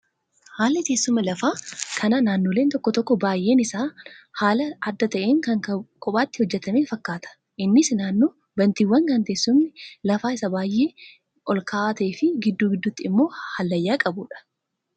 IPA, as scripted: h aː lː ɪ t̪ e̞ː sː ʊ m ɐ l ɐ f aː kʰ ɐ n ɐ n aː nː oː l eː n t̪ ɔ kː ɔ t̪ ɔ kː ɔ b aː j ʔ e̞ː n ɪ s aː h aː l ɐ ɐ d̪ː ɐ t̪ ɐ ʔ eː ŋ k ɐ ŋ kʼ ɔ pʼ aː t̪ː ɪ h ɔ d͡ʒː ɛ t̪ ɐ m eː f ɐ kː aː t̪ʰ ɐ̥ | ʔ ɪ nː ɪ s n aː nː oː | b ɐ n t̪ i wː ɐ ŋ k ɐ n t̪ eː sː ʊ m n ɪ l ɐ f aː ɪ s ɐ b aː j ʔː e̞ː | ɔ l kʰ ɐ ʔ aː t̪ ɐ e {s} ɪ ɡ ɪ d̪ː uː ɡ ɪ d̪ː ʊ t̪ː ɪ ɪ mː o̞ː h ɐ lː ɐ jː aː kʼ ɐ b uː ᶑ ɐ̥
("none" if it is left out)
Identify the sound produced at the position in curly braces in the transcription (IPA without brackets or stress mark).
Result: f